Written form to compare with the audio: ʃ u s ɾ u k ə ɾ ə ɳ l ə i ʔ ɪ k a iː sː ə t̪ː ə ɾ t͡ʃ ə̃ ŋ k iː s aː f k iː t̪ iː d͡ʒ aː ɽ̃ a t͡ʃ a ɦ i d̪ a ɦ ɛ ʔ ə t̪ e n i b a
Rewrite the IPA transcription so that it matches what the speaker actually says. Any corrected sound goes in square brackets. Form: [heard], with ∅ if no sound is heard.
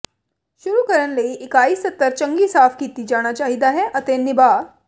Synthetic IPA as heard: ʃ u [∅] ɾ u k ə ɾ ə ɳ l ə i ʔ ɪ k a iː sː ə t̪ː ə ɾ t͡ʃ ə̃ ŋ [ɡ] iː s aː f k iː t̪ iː d͡ʒ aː ɽ̃ a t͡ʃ a ɦ i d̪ a ɦ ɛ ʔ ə t̪ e n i b a